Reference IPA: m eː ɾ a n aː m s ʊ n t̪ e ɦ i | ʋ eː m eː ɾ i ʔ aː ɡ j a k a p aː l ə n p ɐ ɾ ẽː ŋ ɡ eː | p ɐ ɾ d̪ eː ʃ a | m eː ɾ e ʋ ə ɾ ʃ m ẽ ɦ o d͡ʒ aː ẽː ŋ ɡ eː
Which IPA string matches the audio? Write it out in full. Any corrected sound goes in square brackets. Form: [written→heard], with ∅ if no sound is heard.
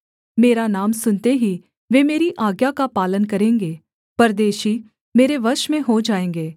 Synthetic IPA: m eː ɾ a n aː m s ʊ n t̪ e ɦ i | ʋ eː m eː ɾ i ʔ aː ɡ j a k a p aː l ə n [p→k] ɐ ɾ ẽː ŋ ɡ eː | p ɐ ɾ d̪ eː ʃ [a→i] | m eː ɾ e ʋ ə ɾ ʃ m ẽ ɦ o d͡ʒ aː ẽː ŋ ɡ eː

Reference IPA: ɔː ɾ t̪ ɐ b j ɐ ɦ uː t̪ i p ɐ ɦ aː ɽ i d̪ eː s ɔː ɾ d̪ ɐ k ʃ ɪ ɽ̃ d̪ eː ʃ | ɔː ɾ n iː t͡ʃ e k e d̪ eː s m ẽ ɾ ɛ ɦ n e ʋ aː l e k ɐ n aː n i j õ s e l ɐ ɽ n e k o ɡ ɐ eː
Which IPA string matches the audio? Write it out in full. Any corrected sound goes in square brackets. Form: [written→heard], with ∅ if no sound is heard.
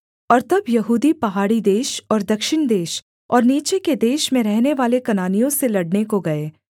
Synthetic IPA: ɔː ɾ t̪ ɐ b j ɐ ɦ uː [t̪→d̪] i p ɐ ɦ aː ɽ i d̪ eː [s→ʃ] ɔː ɾ d̪ ɐ k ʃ ɪ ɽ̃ d̪ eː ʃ | ɔː ɾ n iː t͡ʃ e k e d̪ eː [s→ʃ] m ẽ ɾ ɛ ɦ n e ʋ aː l e k ɐ n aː n i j õ s e l ɐ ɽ n e k o ɡ ɐ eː

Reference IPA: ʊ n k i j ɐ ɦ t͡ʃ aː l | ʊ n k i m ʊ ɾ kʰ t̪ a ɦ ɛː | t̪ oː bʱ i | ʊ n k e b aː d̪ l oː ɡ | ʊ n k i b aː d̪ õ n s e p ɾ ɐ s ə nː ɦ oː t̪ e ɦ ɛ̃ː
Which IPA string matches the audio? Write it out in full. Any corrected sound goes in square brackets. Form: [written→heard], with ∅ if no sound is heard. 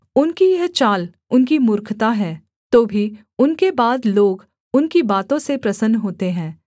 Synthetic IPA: ʊ n k i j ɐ ɦ t͡ʃ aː l | ʊ n k i m ʊ ɾ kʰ t̪ a ɦ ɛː | t̪ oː bʱ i | ʊ n k e b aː d̪ l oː ɡ | ʊ n k i b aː [d̪→t̪] õ [n→∅] s e p ɾ ɐ s ə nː ɦ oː t̪ e ɦ ɛ̃ː

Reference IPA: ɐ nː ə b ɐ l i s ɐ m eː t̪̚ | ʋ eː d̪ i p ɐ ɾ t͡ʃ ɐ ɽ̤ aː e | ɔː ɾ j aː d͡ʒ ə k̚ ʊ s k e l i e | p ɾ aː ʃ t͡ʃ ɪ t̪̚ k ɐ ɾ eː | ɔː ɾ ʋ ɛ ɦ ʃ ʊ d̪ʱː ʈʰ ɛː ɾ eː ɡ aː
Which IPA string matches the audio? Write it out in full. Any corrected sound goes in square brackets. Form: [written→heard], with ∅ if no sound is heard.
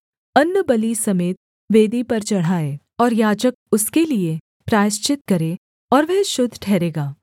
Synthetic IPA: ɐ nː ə b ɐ l i s ɐ m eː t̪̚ | ʋ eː d̪ i p ɐ ɾ t͡ʃ ɐ ɽ̤ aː e | ɔː ɾ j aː d͡ʒ ə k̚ ʊ s k e l i e | p ɾ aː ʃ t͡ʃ ɪ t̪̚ k ɐ ɾ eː | ɔː ɾ ʋ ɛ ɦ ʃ ʊ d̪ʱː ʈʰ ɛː ɾ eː ɡ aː

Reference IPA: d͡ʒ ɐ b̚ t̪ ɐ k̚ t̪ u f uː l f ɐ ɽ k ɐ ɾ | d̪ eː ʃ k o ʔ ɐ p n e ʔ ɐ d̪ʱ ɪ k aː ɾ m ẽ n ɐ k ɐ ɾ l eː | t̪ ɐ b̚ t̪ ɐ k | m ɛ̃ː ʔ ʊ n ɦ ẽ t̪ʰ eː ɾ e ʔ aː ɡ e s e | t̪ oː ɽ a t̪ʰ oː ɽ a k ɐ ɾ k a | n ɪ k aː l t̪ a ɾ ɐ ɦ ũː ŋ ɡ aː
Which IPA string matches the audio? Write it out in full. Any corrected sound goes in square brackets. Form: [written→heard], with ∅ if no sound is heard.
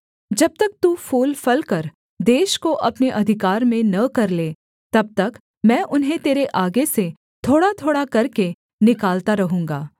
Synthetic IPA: d͡ʒ ɐ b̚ t̪ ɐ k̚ t̪ u f uː l f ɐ [ɽ→l] k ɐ ɾ | d̪ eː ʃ k o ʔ ɐ p n e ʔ ɐ d̪ʱ ɪ k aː ɾ m ẽ n ɐ k ɐ ɾ l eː | t̪ ɐ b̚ t̪ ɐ k | m ɛ̃ː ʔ ʊ n ɦ ẽ [t̪ʰ→t̪] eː ɾ e ʔ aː ɡ e s e | [t̪→t̪ʰ] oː ɽ a t̪ʰ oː ɽ a k ɐ ɾ k [a→e] | n ɪ k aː l t̪ a ɾ ɐ ɦ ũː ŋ ɡ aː

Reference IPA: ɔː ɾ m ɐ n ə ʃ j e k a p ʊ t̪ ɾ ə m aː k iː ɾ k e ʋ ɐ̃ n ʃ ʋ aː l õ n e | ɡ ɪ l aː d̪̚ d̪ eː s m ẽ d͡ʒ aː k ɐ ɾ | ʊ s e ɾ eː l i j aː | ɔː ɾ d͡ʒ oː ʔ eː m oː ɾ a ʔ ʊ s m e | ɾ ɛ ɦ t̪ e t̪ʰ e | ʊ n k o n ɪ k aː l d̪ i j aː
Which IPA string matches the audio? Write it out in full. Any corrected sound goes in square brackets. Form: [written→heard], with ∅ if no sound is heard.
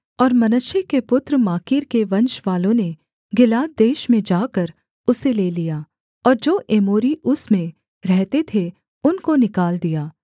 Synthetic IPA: ɔː ɾ m ɐ n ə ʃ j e k [a→e] p ʊ t̪ ɾ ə m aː k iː ɾ k e ʋ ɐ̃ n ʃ ʋ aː l õ n e | ɡ ɪ l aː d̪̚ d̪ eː [s→ʃ] m ẽ d͡ʒ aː k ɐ ɾ | ʊ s e [ɾ→l] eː l i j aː | ɔː ɾ d͡ʒ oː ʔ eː m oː ɾ [a→i] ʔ ʊ s m [e→ẽ] | ɾ ɛ ɦ t̪ e t̪ʰ e | ʊ n k o n ɪ k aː l d̪ i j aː

